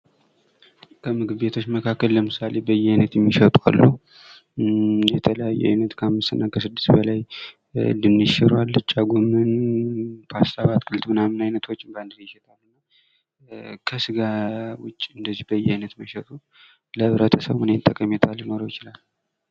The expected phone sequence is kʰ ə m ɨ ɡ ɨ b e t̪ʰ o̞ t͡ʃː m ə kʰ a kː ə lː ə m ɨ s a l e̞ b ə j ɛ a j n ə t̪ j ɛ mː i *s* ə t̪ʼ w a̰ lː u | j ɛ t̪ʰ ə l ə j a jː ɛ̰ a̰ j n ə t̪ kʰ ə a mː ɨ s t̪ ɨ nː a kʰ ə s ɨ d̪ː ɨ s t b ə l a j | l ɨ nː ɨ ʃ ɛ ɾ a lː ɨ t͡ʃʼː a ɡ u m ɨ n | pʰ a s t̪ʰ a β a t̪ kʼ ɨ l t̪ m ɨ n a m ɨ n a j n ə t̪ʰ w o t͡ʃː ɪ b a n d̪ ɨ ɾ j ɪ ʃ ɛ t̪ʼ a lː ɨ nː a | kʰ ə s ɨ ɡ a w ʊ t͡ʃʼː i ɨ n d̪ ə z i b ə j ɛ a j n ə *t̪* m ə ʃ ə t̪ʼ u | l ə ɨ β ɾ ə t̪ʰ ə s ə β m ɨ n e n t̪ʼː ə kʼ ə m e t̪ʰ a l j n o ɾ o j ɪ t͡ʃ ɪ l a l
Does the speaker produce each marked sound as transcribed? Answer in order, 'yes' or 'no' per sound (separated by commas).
no, yes